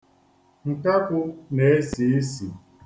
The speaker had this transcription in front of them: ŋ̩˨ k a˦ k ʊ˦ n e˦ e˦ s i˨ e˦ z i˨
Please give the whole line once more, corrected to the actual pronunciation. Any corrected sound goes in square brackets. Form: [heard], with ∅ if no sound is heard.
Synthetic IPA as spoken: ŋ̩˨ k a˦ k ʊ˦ n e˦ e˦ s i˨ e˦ [s] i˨